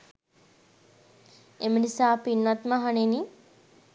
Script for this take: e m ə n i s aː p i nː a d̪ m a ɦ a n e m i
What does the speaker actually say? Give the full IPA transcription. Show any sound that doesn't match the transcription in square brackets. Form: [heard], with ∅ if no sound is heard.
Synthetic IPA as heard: e m ə n i s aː p i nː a [t̪] m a ɦ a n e [n] i

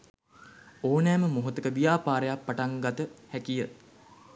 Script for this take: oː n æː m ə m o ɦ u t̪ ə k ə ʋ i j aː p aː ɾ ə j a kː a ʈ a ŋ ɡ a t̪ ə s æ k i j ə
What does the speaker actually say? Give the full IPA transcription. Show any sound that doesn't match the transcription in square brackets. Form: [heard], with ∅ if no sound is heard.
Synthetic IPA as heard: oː n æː m ə m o ɦ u t̪ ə k ə ʋ i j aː p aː ɾ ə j a [pː] a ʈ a ŋ ɡ a t̪ ə [h] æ k i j ə

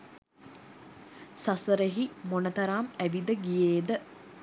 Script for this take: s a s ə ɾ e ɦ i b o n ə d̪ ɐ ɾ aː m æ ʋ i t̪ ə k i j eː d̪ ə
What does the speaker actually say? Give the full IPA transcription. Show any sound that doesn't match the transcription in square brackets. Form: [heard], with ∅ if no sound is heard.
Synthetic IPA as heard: s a s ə ɾ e ɦ i [m] o n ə [t̪] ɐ ɾ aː m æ ʋ i [d̪] ə [ɡ] i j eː d̪ ə

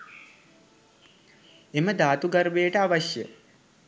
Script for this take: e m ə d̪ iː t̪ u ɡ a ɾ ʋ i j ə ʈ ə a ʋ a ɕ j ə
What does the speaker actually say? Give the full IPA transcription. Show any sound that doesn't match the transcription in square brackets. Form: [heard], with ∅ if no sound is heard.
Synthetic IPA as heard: e m ə d̪ [aː] t̪ u ɡ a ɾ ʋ [e] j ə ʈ ə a ʋ a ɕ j ə

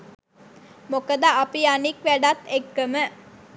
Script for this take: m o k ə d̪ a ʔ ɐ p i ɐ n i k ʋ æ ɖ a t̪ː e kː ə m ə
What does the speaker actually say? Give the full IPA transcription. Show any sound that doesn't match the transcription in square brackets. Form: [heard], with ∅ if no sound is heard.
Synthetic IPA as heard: m o k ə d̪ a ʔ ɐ p i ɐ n i k ʋ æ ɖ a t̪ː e kː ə m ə

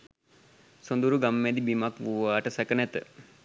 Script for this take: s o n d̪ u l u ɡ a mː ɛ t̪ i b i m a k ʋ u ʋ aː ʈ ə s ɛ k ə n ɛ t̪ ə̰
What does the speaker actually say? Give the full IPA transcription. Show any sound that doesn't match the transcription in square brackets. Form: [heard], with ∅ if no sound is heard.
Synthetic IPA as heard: s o n d̪ u [ɾ] u ɡ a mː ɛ [d̪] i b i m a k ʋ u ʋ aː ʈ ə s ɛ k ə n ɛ t̪ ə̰

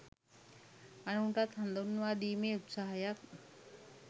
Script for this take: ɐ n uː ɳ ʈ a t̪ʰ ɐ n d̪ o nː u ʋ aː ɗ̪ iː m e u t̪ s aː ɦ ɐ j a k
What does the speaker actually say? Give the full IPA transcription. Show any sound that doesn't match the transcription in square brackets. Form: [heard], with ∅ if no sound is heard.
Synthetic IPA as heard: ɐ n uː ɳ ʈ a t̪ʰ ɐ n d̪ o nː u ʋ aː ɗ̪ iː m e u t̪ s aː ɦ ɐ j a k

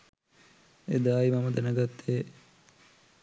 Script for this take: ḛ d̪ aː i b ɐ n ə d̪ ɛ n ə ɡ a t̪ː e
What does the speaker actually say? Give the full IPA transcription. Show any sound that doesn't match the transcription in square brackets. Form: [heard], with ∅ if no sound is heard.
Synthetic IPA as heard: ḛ d̪ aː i [m] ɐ [m] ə d̪ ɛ n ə ɡ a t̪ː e

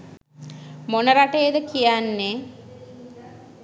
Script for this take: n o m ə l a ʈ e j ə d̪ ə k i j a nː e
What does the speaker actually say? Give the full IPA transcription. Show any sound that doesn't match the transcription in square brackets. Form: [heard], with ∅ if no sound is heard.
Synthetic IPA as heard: [m] o [n] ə [ɾ] a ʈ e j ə d̪ ə k i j a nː e

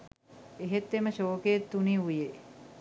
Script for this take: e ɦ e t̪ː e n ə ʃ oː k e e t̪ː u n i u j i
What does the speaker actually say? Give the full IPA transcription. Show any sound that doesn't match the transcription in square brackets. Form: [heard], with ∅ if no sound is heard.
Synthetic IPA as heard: e ɦ e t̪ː e [m] ə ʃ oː k e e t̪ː u n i u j [e]

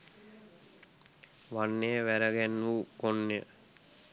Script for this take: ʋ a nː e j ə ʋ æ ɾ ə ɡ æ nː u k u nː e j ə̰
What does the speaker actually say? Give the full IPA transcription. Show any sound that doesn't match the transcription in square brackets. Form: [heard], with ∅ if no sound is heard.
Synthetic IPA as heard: ʋ a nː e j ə ʋ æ ɾ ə ɡ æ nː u k [o] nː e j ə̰

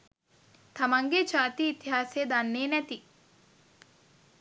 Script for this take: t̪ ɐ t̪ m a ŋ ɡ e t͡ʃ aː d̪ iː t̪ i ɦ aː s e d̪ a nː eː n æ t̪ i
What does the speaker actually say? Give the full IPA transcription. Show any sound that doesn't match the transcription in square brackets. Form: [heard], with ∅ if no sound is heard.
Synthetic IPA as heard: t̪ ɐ [∅] m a ŋ ɡ e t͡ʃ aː [t̪] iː t̪ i ɦ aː s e d̪ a nː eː n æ t̪ i

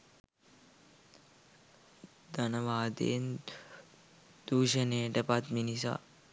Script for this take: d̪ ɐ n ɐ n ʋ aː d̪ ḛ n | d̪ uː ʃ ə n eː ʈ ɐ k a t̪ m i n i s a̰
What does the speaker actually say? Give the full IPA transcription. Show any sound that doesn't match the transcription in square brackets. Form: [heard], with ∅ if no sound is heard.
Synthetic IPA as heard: d̪ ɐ n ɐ [∅] ʋ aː d̪ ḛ n | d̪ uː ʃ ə n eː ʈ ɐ [p] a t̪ m i n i s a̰

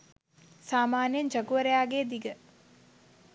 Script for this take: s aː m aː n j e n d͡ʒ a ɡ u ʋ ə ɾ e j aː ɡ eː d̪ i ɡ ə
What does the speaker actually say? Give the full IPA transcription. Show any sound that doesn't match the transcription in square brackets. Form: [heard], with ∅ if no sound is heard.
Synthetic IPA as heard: s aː m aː n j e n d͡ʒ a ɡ u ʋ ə ɾ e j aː ɡ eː d̪ i ɡ ə

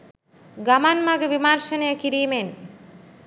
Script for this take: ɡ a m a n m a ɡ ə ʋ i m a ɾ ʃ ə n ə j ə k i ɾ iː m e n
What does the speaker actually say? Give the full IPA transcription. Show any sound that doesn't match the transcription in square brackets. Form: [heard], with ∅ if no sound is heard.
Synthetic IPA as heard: ɡ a m a n m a ɡ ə ʋ i m a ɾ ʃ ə n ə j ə k i ɾ iː m e n

